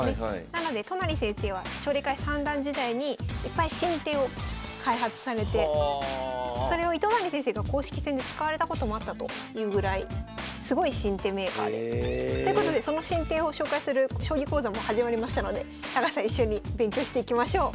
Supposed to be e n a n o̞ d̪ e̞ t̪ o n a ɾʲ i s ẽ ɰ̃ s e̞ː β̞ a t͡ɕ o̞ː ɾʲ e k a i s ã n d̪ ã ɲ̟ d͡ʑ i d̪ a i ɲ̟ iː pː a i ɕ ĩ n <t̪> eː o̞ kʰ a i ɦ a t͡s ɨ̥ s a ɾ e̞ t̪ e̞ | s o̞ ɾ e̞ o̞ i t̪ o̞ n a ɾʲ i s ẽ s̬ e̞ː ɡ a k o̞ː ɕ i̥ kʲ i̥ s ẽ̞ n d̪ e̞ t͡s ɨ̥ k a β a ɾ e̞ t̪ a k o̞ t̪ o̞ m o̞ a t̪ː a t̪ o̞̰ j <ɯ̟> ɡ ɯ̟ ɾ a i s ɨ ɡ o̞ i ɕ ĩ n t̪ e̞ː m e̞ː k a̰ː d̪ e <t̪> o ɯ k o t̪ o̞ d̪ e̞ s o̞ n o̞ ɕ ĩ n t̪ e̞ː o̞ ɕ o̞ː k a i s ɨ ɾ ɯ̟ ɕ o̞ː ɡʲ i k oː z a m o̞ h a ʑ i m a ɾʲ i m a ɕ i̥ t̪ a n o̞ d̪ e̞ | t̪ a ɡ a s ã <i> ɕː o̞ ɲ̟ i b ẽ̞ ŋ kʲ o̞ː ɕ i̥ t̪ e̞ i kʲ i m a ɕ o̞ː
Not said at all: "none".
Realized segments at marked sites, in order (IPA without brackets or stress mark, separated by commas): t̪, ɯ̟ː, t̪, i